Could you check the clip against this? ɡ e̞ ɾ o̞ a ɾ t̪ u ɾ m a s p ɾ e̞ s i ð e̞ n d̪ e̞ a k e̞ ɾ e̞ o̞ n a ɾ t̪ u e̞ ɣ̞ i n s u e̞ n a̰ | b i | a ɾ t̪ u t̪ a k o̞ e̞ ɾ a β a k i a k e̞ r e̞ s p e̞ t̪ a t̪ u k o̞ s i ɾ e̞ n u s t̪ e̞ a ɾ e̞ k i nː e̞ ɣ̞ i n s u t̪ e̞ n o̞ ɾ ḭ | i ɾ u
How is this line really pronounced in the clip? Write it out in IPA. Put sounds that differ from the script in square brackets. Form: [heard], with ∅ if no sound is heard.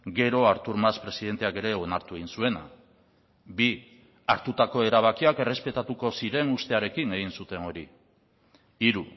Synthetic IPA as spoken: ɡ e̞ ɾ o̞ a ɾ t̪ u ɾ m a s p ɾ e̞ s i ð e̞ n [t̪] e̞ a k e̞ ɾ e̞ o̞ n a ɾ t̪ u e̞ ɣ̞ i n s u e̞ n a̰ | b i | a ɾ t̪ u t̪ a k o̞ e̞ ɾ a β a k i a k e̞ r e̞ s p e̞ t̪ a t̪ u k o̞ s i ɾ e̞ n u s t̪ e̞ a ɾ e̞ k i [n] e̞ ɣ̞ i n s u t̪ e̞ n o̞ ɾ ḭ | i ɾ u